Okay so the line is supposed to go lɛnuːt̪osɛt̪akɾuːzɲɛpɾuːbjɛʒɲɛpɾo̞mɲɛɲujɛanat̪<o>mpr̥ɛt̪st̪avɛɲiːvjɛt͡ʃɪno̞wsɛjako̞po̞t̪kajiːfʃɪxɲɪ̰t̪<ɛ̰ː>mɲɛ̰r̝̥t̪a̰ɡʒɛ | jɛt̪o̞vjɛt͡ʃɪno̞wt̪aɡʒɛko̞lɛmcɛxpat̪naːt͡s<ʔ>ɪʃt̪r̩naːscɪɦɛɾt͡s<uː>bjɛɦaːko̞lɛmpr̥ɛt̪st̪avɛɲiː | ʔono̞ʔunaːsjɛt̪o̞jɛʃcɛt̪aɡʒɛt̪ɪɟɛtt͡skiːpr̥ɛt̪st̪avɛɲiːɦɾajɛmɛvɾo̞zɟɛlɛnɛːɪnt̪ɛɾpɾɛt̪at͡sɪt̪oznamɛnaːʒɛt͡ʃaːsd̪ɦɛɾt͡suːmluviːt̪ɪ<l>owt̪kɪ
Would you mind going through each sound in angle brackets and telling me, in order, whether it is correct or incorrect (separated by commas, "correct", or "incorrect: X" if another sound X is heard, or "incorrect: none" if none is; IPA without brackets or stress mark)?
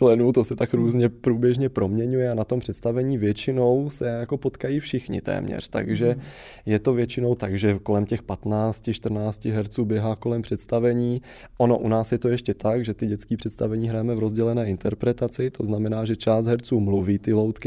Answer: correct, correct, incorrect: c, correct, correct